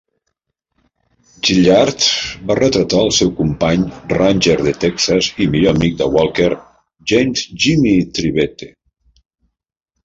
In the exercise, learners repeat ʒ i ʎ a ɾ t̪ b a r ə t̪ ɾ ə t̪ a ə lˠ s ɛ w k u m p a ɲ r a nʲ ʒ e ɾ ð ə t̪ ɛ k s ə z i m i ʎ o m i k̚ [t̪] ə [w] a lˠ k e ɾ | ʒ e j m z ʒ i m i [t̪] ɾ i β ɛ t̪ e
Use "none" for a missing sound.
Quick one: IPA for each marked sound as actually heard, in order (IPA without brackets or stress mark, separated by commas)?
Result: d̪, w, t̪